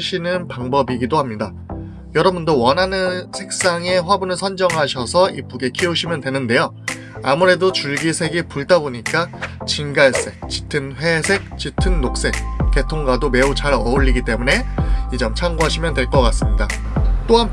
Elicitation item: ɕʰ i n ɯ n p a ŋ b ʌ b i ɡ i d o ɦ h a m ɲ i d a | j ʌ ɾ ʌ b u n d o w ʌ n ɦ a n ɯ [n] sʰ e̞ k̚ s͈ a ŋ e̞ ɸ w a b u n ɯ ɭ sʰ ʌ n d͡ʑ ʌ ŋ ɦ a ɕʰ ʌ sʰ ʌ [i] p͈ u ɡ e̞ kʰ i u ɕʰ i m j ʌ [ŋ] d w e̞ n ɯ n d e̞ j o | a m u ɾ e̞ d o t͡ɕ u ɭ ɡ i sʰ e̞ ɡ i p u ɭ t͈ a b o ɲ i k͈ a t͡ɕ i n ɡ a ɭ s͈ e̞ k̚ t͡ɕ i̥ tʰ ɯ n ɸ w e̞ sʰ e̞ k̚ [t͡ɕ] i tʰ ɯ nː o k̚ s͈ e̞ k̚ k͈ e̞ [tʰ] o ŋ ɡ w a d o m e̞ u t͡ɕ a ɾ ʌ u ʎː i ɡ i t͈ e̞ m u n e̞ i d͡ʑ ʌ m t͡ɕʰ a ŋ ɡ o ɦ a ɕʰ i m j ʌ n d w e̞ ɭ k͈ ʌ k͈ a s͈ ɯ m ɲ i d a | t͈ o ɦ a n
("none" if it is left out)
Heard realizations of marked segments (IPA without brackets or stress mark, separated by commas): n, i, n, t͡ɕ, tʰ